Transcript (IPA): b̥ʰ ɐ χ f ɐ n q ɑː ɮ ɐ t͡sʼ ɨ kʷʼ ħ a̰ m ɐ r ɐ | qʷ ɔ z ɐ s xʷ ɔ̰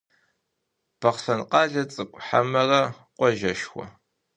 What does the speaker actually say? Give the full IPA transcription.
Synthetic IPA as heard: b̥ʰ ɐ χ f ɐ n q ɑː ɮ ɐ t͡sʼ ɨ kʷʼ ħ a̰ m ɐ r ɐ | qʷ ɔ ʒ ɐ ʃ xʷ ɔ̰